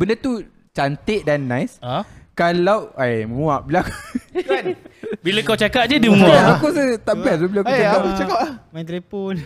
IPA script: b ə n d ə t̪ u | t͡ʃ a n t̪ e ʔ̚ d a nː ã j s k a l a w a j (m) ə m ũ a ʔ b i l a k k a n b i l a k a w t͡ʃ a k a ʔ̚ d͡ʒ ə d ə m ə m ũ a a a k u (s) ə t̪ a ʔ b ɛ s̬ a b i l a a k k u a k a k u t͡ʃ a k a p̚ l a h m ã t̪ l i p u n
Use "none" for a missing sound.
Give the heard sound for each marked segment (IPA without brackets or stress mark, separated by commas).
m, s